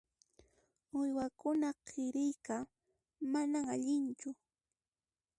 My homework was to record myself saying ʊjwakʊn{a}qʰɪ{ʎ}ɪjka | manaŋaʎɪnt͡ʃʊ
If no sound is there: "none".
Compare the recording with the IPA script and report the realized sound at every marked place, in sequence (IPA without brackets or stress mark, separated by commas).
a, ɾ